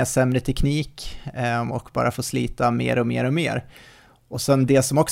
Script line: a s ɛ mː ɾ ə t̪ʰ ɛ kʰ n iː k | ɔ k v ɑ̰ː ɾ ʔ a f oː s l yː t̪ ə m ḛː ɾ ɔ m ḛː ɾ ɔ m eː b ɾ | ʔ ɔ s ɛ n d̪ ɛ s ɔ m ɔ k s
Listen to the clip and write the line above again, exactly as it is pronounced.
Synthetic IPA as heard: a s ɛ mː ɾ ə t̪ʰ ɛ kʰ n iː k | ɔ k b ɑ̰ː ɾ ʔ a f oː s l iː t̪ a m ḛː ɾ ɔ m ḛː ɾ ɔ m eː ɾ | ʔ ɔ s ɛ n d̪ ɛ s ɔ m ɔ k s